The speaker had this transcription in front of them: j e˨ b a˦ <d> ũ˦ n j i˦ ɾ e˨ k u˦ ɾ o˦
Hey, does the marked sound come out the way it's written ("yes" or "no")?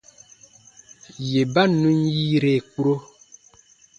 no